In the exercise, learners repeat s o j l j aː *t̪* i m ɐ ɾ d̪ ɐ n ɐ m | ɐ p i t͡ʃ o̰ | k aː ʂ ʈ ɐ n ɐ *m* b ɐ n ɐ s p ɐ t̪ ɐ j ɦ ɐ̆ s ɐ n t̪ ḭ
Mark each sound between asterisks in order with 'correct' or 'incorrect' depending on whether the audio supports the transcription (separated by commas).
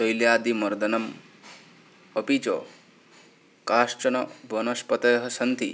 incorrect, incorrect